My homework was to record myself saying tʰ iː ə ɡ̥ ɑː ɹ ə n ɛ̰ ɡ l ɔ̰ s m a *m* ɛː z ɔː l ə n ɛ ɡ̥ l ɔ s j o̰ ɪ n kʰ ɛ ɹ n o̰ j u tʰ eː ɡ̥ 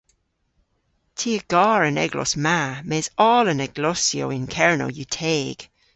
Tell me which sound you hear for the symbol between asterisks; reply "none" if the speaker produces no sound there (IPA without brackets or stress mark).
m